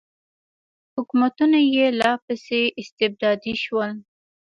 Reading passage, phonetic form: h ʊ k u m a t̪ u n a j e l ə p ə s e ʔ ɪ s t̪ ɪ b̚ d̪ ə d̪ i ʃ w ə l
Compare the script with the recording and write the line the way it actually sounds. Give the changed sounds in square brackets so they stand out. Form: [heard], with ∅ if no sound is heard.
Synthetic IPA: h ʊ k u m a t̪ u n a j e l [ɑ] p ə s e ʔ ɪ s t̪ ɪ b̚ d̪ [ɑ] d̪ i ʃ w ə l